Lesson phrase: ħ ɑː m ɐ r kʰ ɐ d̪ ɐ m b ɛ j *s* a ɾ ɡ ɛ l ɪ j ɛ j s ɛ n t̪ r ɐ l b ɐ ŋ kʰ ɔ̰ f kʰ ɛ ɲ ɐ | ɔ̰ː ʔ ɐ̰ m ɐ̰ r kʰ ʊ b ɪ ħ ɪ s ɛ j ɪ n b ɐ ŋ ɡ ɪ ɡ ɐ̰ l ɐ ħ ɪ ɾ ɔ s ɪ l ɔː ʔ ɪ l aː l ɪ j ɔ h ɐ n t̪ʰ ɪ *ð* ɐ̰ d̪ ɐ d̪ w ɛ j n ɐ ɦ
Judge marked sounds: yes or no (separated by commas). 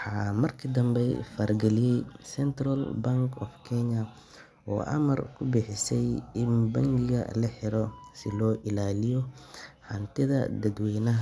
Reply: no, yes